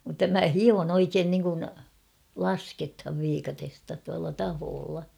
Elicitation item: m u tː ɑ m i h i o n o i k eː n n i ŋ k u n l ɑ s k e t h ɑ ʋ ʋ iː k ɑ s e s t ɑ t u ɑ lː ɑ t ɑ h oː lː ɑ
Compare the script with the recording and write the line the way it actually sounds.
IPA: m u tː ɑ m æ h i o n o i k eː n n i ŋ k u n l ɑ s k e t h ɑ ʋ ʋ iː k ɑ t e s t ɑ t u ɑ lː ɑ t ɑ h oː lː ɑ